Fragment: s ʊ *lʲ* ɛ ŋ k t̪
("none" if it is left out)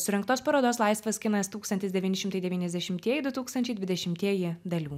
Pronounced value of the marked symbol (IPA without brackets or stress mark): ɾʲ